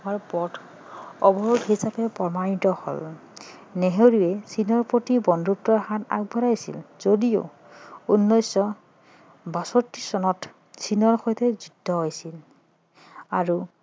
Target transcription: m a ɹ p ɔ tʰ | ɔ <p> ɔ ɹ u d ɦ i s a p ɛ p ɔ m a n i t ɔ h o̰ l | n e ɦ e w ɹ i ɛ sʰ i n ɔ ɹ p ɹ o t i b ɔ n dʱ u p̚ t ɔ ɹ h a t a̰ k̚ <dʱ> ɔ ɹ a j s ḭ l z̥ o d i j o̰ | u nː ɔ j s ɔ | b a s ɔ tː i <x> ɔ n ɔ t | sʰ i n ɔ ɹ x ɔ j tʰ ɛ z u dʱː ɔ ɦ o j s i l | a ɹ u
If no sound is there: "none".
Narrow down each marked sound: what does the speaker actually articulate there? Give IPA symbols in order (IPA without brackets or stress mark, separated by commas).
b, bʱ, s